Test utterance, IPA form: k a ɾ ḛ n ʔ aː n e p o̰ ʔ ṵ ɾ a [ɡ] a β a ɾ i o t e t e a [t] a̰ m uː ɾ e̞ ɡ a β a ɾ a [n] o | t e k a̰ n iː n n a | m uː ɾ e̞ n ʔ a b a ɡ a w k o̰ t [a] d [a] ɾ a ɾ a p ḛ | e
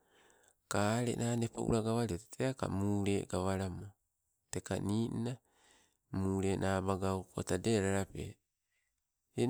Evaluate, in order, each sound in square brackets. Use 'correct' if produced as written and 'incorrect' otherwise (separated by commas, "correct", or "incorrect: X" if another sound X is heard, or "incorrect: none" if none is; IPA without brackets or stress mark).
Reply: correct, incorrect: k, incorrect: m, correct, incorrect: e